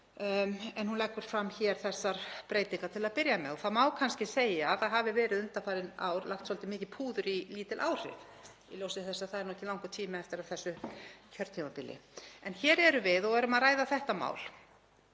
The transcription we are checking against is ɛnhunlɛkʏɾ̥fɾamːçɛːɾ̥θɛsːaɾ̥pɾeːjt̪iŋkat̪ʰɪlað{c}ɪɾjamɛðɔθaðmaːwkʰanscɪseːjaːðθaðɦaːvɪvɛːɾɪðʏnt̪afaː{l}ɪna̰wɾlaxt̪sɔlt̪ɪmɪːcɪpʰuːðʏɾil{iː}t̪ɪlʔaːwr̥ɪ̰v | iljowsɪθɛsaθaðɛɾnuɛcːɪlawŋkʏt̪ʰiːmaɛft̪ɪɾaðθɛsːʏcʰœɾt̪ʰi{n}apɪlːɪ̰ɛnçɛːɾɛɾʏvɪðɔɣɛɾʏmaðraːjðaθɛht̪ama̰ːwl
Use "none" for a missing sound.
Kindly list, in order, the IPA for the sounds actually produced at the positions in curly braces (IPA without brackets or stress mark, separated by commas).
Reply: p, ɾ, iː, m